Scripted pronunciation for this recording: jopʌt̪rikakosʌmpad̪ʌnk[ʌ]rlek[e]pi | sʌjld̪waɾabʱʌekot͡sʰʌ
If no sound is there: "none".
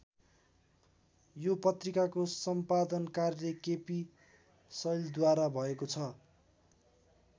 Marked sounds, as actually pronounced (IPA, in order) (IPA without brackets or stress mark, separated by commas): a, e